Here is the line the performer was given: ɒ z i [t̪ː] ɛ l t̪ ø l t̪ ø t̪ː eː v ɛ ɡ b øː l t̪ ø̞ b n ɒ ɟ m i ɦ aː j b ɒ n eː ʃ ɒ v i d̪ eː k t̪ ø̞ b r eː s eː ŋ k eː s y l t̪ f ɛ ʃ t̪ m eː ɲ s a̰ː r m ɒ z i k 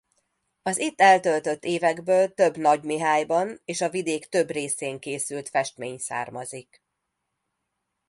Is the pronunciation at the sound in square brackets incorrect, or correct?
correct